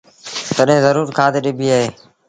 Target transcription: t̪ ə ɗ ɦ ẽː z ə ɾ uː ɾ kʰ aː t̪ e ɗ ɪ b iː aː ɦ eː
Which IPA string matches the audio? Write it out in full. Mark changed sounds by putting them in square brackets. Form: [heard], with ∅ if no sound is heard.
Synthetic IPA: t̪ ə ɗ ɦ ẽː z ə ɾ uː ɾ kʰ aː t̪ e ɗ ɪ b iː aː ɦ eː